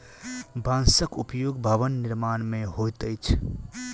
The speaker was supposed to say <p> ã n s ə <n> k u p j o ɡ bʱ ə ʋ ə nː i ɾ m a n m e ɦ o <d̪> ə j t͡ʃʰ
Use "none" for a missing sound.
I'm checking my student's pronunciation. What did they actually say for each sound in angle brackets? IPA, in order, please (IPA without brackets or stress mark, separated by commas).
b, none, t̪